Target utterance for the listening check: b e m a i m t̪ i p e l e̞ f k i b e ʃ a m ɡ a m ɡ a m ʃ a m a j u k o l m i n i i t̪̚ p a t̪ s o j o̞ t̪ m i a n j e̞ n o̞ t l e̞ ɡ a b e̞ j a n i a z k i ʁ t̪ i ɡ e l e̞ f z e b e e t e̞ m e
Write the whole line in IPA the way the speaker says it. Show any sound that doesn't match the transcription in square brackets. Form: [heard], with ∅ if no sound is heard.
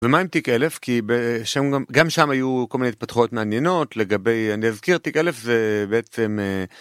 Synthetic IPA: [v] e m a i m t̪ i [k] e l e̞ f k i b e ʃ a m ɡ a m ɡ a m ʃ a m a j u k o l m i n [e] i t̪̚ p a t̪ [χ] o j o̞ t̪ m [e] a n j e̞ n o̞ t l e̞ ɡ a b e̞ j a n i a z k i ʁ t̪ i [k] e l e̞ f z e b e e [t͡s] e̞ m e